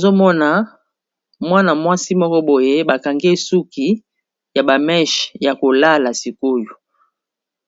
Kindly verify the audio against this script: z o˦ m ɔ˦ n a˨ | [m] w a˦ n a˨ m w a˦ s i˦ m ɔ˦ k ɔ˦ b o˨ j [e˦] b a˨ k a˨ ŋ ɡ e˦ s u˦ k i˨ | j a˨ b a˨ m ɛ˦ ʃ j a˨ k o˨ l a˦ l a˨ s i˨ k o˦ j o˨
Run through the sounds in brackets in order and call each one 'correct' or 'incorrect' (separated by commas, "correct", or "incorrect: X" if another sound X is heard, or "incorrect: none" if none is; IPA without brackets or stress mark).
correct, correct